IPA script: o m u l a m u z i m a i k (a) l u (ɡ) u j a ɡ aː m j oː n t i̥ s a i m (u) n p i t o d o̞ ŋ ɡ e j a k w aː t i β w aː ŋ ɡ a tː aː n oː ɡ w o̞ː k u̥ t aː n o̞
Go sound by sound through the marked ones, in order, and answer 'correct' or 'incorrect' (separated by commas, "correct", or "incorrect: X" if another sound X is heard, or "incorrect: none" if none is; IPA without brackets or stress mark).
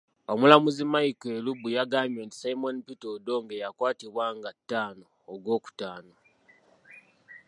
incorrect: e, incorrect: b, incorrect: o